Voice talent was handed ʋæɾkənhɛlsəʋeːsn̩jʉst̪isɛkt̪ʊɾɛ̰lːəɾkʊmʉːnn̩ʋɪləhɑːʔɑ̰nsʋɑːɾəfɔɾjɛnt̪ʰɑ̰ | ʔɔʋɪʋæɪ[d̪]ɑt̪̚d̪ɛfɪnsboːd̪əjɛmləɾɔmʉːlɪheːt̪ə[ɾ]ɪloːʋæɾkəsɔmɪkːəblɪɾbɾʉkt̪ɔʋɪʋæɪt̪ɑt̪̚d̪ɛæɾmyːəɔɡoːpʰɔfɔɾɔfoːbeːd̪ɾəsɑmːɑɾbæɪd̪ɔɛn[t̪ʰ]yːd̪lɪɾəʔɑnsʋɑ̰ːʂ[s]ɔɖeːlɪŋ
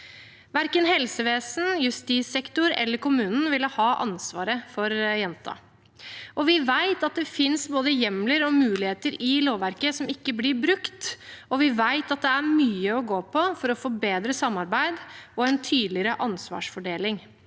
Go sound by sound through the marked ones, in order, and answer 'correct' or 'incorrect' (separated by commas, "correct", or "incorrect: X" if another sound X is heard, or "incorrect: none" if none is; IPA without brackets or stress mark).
incorrect: t̪, correct, correct, incorrect: f